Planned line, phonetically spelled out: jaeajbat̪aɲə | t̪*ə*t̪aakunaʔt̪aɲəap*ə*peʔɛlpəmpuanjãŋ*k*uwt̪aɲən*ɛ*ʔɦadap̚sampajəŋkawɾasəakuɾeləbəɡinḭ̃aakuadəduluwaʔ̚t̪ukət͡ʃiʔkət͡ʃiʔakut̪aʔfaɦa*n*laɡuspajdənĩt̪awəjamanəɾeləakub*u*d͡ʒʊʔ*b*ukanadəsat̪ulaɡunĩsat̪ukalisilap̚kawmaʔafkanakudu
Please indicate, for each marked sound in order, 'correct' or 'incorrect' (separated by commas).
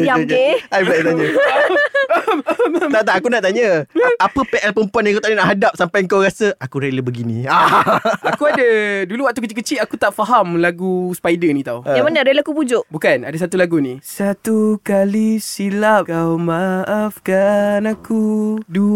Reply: incorrect, correct, correct, incorrect, incorrect, correct, correct